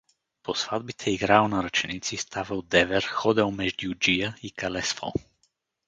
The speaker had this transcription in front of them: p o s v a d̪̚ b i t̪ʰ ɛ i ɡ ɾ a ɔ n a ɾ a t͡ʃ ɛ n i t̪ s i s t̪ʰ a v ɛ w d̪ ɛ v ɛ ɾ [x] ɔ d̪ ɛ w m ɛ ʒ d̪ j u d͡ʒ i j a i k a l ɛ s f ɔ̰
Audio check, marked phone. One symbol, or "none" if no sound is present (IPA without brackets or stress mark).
x